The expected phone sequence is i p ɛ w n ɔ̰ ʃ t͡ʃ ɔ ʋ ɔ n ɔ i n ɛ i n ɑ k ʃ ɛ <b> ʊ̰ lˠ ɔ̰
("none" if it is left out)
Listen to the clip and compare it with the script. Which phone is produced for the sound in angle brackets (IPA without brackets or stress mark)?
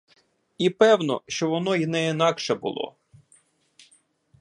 b